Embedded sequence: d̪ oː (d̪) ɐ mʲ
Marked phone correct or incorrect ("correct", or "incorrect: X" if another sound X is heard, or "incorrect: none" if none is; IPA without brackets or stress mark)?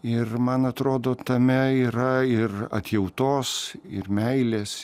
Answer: incorrect: t̪